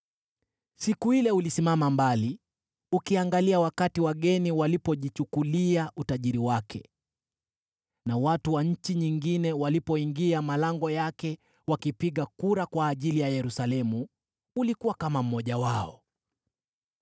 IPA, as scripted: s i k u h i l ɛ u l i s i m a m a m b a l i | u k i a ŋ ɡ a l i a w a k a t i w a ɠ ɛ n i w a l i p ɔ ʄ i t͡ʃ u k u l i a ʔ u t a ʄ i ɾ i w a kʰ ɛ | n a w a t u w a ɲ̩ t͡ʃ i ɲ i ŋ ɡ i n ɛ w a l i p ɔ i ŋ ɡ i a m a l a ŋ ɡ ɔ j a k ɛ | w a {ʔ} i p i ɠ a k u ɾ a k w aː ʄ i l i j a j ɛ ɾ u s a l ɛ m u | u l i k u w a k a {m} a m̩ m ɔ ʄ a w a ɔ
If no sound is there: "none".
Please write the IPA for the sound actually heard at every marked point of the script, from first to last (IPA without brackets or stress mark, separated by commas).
k, m